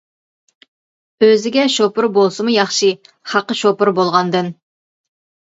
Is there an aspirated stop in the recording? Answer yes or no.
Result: no